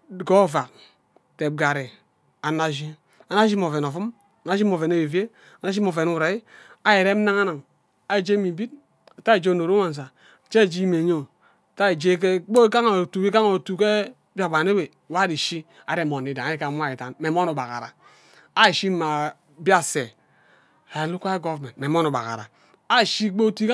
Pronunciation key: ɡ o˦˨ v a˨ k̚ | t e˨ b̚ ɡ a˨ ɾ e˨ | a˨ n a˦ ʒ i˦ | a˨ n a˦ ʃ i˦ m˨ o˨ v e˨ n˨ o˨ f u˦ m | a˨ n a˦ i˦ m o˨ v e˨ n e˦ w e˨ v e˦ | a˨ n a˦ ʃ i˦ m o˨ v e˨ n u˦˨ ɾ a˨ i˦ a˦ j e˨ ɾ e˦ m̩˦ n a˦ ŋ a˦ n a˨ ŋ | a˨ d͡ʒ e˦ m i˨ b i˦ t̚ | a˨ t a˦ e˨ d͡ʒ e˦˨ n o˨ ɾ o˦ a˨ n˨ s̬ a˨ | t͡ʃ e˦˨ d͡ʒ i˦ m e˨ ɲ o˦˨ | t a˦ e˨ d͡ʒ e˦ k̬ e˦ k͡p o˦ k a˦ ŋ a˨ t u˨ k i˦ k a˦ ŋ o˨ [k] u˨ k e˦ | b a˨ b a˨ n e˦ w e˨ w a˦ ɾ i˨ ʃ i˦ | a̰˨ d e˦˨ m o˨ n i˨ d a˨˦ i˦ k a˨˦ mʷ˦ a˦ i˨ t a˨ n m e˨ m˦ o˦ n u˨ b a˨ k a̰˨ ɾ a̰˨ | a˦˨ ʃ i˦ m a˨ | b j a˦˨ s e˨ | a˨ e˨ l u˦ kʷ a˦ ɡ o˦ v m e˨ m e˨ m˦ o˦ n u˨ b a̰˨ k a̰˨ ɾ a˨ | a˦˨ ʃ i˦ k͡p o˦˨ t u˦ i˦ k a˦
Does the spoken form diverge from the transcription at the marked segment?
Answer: yes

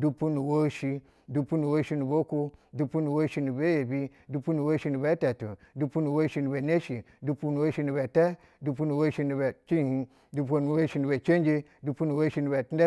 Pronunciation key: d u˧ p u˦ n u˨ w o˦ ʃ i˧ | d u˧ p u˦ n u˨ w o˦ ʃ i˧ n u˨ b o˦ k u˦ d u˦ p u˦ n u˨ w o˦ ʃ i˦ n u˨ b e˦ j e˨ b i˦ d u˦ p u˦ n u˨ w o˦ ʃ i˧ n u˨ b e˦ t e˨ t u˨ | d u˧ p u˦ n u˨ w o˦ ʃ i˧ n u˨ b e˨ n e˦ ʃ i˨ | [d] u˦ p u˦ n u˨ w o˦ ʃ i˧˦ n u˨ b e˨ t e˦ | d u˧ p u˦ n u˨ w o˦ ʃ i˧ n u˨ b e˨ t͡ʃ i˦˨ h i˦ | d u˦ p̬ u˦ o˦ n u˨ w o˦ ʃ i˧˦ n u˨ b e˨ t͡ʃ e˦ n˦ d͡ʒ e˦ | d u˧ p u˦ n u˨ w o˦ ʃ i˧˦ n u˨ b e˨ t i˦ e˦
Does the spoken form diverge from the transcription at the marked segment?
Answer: no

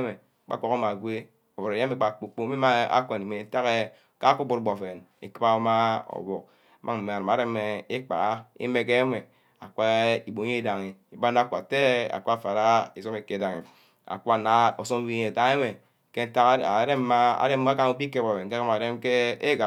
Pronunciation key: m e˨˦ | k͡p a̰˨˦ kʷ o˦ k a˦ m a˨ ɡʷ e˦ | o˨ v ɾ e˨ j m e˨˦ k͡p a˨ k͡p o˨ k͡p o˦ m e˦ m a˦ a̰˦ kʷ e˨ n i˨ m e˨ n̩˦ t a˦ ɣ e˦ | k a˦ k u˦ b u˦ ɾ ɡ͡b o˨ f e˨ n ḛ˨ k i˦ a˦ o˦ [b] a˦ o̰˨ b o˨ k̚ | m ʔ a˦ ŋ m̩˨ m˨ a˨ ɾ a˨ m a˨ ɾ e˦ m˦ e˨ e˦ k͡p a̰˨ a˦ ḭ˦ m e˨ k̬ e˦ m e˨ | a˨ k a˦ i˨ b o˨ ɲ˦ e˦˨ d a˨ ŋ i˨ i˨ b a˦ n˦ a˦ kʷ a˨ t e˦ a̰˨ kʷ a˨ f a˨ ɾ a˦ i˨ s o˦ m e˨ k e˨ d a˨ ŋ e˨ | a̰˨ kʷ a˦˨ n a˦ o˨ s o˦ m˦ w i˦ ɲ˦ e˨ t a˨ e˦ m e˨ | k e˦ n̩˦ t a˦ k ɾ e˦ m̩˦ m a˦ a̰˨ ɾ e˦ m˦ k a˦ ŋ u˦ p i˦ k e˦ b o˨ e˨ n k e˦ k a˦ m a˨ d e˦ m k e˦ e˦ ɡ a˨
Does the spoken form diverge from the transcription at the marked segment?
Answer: yes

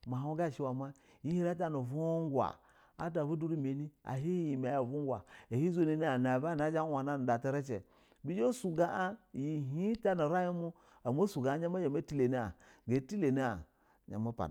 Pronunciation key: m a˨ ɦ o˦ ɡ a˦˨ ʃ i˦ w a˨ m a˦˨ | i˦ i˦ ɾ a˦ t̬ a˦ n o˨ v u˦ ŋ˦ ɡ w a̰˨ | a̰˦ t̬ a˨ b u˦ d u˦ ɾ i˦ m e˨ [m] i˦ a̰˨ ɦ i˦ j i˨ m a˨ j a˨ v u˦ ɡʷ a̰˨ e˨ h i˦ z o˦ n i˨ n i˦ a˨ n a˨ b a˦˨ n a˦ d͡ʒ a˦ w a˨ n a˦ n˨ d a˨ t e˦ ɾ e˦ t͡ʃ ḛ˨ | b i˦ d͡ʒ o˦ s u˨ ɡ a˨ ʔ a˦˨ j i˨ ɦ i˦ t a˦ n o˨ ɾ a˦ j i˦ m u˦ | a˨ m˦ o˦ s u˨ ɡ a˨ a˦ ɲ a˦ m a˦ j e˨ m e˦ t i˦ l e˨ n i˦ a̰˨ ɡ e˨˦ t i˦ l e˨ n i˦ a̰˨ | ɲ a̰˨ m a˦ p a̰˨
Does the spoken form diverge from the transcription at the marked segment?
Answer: yes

